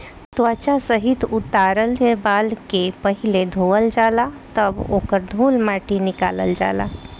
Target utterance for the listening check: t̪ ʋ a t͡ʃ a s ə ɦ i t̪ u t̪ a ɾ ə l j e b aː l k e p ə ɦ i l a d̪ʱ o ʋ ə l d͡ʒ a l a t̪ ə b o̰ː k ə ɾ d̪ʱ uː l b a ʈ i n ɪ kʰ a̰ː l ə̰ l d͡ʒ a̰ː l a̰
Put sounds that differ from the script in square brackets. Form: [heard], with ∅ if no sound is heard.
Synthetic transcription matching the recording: t̪ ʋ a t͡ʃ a s ə ɦ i t̪ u t̪ a ɾ ə l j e b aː l k e p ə ɦ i l [e] d̪ʱ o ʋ ə l d͡ʒ a l a t̪ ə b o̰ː k ə ɾ d̪ʱ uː l [m] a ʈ i n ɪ [k] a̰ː l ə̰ l d͡ʒ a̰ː l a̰

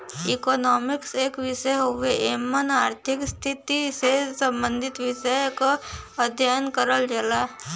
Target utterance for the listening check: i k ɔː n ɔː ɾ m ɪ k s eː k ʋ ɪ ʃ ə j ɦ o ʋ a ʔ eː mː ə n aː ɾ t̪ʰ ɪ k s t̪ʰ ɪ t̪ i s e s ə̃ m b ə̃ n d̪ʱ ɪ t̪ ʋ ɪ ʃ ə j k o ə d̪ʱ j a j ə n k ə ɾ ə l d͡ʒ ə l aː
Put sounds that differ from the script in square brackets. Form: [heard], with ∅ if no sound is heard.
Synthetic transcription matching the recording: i k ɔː n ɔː [∅] m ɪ k s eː k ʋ ɪ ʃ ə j ɦ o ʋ [e] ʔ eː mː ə n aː ɾ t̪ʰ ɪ k s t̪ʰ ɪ t̪ i s e s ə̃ m b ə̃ n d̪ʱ ɪ t̪ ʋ ɪ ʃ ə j k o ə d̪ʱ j a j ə n k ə ɾ ə l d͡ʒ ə l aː

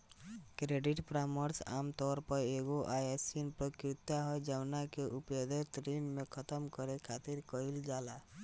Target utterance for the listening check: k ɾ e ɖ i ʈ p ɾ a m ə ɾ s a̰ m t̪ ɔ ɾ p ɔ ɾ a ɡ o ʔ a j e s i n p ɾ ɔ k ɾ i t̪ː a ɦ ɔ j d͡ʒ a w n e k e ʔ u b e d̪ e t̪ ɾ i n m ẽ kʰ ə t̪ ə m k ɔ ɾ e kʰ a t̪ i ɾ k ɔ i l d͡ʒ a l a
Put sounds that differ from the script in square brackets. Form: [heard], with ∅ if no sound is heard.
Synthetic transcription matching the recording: k ɾ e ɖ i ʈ p ɾ a m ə ɾ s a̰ m t̪ ɔ ɾ p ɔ ɾ [e] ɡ o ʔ a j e s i n p ɾ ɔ k ɾ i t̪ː a ɦ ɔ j d͡ʒ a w n [a] k e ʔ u [p] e d̪ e t̪ ɾ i n m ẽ kʰ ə t̪ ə m k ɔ ɾ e kʰ a t̪ i ɾ k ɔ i l d͡ʒ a l a

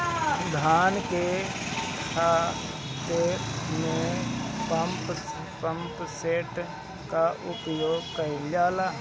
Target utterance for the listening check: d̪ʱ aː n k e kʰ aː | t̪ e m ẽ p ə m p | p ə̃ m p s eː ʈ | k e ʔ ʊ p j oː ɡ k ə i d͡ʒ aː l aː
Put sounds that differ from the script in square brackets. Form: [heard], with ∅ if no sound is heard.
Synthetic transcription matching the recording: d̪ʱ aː n k e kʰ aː | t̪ e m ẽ p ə m p | p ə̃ m p s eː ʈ | k [a] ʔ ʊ p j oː ɡ k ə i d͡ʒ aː l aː

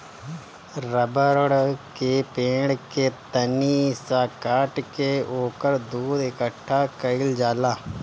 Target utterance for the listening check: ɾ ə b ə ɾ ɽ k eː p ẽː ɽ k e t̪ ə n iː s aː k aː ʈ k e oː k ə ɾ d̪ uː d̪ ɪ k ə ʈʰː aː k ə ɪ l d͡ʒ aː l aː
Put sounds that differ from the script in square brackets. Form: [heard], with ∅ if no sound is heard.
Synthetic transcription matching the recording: ɾ ə b ə ɾ ɽ k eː p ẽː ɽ k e t̪ ə n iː s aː k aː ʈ k e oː k ə ɾ d̪ uː d̪ ɪ k ə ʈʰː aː k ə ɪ l d͡ʒ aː l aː

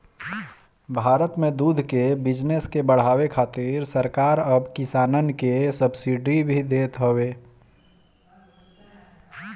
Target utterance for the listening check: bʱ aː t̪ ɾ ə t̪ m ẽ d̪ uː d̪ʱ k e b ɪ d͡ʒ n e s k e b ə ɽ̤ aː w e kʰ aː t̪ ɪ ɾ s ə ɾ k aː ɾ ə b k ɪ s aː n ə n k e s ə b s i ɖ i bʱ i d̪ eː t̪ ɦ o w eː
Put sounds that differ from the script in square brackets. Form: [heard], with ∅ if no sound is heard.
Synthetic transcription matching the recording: bʱ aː [∅] ɾ ə t̪ m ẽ d̪ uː d̪ʱ k e b ɪ d͡ʒ n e s k e b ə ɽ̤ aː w e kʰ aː t̪ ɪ ɾ s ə ɾ k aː ɾ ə b k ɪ s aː n ə n k e s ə b s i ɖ i bʱ i d̪ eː t̪ ɦ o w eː

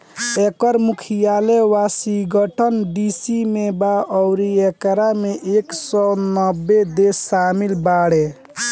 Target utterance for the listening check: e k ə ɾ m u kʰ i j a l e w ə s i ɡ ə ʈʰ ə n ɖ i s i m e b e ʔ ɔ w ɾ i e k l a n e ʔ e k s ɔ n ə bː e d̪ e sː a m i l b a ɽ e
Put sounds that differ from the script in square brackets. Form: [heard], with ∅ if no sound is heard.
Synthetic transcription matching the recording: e k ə ɾ m u kʰ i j a l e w [a] s i ɡ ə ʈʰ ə n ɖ i s i m e b [a] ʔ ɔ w ɾ i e k [ɾ] a [m] e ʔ e k s ɔ n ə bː e d̪ e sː a m i l b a ɽ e

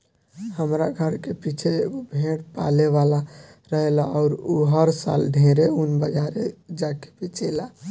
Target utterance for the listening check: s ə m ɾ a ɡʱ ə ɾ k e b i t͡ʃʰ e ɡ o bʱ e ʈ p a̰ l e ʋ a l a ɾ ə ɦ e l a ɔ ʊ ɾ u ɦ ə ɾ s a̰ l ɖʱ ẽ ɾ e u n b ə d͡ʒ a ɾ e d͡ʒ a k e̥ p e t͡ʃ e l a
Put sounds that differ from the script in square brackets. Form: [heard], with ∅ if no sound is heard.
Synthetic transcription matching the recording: [h] ə m ɾ a ɡʱ ə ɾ k e [p] i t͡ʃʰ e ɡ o bʱ e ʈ p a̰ l e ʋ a l a ɾ ə ɦ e l a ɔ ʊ ɾ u ɦ ə ɾ s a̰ l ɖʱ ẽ ɾ e u n b ə d͡ʒ a ɾ e d͡ʒ a k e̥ p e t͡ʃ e l a

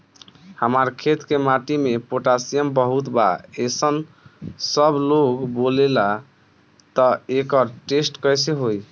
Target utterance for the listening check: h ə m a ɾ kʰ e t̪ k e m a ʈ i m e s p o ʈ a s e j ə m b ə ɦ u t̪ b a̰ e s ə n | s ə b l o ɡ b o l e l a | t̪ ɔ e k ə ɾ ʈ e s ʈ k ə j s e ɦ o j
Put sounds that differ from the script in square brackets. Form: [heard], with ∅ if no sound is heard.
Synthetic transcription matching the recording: h ə m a ɾ kʰ e t̪ k e m a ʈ i m e [∅] p o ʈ a s [i] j ə m b ə ɦ u t̪ b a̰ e s ə n | s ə b l o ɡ b o l e l a | t̪ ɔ e k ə ɾ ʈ e s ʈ k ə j s e ɦ o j

